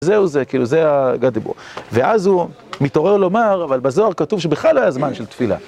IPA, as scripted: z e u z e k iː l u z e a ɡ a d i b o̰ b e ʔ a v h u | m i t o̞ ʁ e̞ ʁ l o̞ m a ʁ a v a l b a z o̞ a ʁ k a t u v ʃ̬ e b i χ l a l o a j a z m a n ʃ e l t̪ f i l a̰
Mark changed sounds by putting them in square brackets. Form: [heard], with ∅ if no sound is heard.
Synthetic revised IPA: z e u z e k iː l u z e a ɡ a d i b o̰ [v] e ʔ a [z] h u | m i t o̞ ʁ e̞ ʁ l o̞ m a ʁ a v a l b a z o̞ a ʁ k a t u v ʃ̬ e b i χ l a l o a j a z m a n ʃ e l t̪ f i l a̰